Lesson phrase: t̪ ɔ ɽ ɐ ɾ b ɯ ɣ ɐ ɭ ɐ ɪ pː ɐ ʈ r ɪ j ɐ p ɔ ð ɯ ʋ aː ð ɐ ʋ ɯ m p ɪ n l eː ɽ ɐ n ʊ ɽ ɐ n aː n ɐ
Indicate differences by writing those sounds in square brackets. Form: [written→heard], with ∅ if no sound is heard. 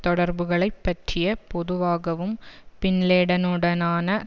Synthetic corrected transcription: t̪ ɔ ɽ ɐ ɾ b ɯ ɣ ɐ ɭ ɐ ɪ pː ɐ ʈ r ɪ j ɐ p ɔ ð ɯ ʋ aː [ð→ɣ] ɐ ʋ ɯ m p ɪ n l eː ɽ ɐ n [ʊ→ɯ] ɽ ɐ n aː n ɐ